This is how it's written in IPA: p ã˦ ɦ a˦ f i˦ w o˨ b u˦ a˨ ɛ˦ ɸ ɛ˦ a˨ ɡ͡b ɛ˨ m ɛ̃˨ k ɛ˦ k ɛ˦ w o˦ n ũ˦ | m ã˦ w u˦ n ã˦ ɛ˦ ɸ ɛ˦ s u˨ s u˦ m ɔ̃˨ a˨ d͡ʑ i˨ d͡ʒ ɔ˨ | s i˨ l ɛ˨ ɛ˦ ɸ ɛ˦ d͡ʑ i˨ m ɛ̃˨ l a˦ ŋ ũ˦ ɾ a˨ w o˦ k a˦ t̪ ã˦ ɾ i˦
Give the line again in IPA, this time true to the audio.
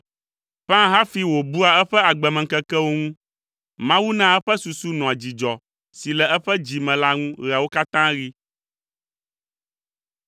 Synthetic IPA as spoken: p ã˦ ɦ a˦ f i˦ w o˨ b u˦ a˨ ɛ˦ ɸ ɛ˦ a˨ ɡ͡b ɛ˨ m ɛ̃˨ k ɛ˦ k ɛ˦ w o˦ ŋ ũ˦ | m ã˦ w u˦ n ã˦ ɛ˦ ɸ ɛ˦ s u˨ s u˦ n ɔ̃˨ a˨ d͡ʑ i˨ d͡ʒ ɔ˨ | s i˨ l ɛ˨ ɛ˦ ɸ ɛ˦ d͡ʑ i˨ m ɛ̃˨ l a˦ ŋ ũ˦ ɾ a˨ w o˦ k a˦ t̪ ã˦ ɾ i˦

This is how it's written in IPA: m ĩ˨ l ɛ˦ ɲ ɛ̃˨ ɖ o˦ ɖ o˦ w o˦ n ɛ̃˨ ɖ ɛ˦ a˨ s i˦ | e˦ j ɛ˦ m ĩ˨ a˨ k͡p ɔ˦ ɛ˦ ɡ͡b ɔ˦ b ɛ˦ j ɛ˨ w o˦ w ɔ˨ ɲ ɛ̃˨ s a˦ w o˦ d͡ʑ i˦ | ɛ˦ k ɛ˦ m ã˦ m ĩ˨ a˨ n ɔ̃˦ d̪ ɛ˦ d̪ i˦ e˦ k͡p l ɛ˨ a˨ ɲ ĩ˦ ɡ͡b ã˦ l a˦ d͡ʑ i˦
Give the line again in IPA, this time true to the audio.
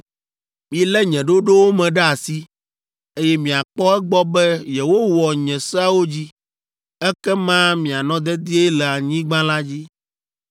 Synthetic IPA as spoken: m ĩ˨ l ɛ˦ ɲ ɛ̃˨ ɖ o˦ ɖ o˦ w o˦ m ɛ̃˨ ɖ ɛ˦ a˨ s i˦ | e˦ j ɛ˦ m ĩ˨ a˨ k͡p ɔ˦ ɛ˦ ɡ͡b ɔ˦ b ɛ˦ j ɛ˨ w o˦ w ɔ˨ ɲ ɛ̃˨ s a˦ w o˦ d͡ʑ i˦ | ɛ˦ k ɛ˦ m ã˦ m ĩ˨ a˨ n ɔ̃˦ d̪ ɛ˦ d̪ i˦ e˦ l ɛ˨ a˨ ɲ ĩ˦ ɡ͡b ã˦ l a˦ d͡ʑ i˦

